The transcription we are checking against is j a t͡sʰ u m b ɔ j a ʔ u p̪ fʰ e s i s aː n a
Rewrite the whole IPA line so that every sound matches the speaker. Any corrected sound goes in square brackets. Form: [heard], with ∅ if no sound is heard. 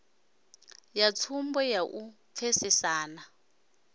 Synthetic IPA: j a t͡sʰ u m b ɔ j a ʔ u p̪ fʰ e s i s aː n a